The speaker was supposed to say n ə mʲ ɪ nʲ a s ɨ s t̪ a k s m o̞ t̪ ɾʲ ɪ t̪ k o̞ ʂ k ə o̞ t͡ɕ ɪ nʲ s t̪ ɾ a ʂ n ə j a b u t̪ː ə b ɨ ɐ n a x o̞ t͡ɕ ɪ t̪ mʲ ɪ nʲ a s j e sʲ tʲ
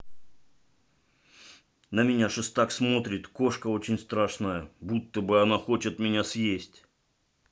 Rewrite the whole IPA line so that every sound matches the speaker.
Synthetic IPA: n ə mʲ ɪ nʲ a ʂ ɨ s t̪ a k s m o̞ t̪ ɾʲ ɪ t̪ k o̞ ʂ k ə o̞ t͡ɕ ɪ nʲ s t̪ ɾ a ʂ n ə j ə b u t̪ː ə b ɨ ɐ n a x o̞ t͡ɕ ɪ t̪ mʲ ɪ nʲ a s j e sʲ tʲ